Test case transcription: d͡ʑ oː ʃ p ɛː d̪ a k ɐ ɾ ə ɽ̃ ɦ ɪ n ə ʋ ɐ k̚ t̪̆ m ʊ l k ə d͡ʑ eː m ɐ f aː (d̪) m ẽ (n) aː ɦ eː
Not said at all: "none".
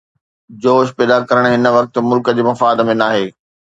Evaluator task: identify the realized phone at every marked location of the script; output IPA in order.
d̪, n

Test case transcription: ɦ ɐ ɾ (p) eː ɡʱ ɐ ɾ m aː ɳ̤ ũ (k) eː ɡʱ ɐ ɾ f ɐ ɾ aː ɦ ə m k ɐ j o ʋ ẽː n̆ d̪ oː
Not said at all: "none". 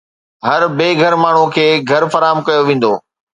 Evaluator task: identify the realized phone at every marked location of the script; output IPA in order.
b, kʰ

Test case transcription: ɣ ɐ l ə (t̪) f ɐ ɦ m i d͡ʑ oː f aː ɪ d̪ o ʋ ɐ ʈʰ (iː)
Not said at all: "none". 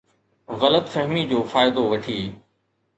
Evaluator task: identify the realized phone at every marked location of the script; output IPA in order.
t̪, iː

